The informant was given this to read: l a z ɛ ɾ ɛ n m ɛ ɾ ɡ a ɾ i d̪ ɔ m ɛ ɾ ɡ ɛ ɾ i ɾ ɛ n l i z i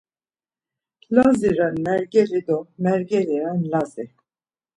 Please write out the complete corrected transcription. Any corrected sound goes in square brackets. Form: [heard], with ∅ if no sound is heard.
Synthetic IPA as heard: l a z [i] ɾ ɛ n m ɛ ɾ ɡ [ɛ] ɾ i d̪ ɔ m ɛ ɾ ɡ ɛ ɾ i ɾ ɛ n l [a] z i